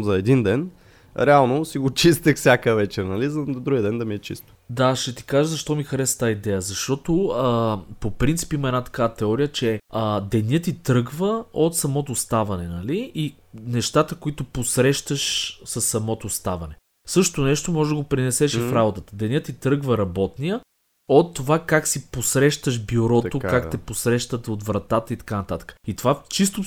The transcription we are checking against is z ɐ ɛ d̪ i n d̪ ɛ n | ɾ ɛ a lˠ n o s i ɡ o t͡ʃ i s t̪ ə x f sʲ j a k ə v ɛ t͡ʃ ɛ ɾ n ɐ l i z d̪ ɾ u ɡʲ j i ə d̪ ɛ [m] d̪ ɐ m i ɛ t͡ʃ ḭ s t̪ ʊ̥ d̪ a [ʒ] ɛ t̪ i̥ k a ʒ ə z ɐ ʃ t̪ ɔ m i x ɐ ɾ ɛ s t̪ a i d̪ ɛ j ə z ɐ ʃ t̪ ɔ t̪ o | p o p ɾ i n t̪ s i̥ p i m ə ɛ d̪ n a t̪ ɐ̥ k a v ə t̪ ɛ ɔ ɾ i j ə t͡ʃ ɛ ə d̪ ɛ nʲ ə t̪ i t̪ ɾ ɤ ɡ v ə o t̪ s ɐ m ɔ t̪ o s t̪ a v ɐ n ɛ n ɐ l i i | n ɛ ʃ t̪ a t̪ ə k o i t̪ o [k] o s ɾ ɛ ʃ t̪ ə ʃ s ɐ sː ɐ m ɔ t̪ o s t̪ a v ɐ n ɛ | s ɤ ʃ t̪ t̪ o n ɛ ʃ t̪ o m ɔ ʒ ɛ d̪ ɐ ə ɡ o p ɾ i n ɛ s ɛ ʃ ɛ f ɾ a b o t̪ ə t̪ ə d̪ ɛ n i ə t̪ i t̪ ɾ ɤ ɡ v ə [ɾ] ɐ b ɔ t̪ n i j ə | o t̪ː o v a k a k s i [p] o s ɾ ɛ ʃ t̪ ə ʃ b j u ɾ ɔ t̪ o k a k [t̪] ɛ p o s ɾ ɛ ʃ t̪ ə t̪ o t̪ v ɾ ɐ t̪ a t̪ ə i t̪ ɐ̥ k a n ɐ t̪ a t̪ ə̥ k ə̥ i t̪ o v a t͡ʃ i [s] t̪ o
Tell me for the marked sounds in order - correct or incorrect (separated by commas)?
incorrect, incorrect, incorrect, correct, correct, correct, correct